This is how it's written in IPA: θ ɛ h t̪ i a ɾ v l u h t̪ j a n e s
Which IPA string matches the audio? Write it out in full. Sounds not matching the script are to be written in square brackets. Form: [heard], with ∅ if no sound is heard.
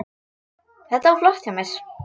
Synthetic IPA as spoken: θ ɛ h t̪ [a] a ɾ [f] l [ɔ] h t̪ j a [m] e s